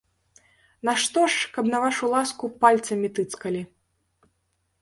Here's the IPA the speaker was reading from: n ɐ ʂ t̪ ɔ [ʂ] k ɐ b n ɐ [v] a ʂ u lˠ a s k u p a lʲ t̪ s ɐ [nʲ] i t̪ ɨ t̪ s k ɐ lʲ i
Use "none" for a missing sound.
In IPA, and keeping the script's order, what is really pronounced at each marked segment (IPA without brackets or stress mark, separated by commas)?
ʂ, v, mʲ